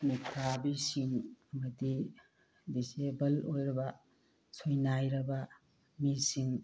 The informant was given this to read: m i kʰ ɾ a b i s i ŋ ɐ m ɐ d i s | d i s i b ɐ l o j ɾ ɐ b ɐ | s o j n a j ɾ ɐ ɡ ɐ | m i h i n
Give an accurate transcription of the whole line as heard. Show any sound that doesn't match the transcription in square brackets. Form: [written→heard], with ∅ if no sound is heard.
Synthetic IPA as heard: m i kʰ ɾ a b i s i ŋ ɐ m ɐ d i [s→∅] | d i s [i→e] b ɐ l o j ɾ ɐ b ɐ | s o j n a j ɾ ɐ [ɡ→b] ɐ | m i [h→s] i [n→ŋ]